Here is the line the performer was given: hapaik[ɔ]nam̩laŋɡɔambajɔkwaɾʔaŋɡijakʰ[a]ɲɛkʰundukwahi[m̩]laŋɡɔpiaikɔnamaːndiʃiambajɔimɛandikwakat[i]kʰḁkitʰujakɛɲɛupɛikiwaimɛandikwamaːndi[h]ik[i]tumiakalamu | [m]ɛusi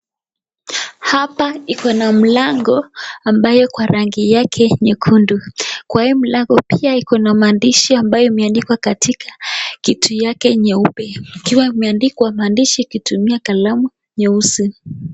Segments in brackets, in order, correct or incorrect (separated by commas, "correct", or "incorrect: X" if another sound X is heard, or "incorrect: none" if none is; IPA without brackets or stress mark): correct, incorrect: ɛ, correct, correct, incorrect: ʃ, correct, incorrect: ɲ